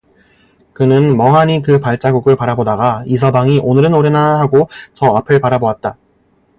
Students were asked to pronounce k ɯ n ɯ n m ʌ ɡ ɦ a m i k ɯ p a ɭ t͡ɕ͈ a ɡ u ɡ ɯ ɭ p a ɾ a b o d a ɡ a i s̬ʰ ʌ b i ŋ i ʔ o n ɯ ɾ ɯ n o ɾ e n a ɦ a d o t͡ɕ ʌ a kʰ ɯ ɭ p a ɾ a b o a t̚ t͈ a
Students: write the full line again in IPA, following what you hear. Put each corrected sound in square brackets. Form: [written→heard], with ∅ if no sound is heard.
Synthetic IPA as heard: k ɯ n ɯ n m ʌ [ɡ→ŋ] ɦ a [m→ɲ] i k ɯ p a ɭ t͡ɕ͈ a ɡ u ɡ ɯ ɭ p a ɾ a b o d a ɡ a i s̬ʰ ʌ b [i→a] ŋ i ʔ o n ɯ ɾ ɯ n o ɾ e n a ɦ a [d→ɡ] o t͡ɕ ʌ a [kʰ→pʰ] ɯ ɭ p a ɾ a b o a t̚ t͈ a

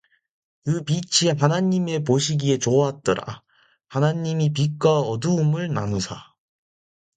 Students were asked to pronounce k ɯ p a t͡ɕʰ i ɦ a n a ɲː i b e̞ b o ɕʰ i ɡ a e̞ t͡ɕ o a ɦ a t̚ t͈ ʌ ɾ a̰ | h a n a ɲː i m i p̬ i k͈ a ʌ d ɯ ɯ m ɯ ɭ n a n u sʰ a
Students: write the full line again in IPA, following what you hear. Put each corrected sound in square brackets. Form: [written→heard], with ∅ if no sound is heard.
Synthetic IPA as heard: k ɯ p [a→i] t͡ɕʰ i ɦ a n a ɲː i [b→m] e̞ [b→p] o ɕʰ i ɡ [a→i] e̞ t͡ɕ o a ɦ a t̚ t͈ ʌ ɾ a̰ | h a n a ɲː i m i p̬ i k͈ a ʌ d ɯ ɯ m ɯ ɭ n a n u sʰ a

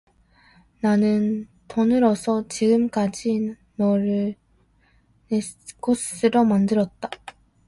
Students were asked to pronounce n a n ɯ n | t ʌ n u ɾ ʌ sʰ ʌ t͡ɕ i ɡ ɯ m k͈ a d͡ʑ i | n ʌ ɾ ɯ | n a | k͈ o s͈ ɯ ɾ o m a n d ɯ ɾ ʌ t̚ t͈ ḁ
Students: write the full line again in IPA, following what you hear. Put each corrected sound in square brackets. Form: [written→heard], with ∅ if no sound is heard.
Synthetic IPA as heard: n a n ɯ n | t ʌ n [u→ɯ] ɾ ʌ sʰ ʌ t͡ɕ i ɡ ɯ m k͈ a d͡ʑ i | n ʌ ɾ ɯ | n [a→e] | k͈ o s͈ ɯ ɾ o m a n d ɯ ɾ ʌ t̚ t͈ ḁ

